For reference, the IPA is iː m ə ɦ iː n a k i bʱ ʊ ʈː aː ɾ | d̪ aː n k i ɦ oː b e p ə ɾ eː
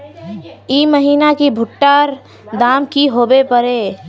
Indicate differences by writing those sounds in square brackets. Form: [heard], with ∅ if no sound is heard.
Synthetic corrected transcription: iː m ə ɦ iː n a k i bʱ ʊ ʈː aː ɾ | d̪ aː [m] k i ɦ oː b e p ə ɾ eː